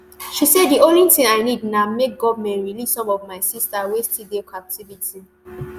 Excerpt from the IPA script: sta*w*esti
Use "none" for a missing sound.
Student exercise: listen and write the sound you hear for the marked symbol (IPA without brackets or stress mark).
w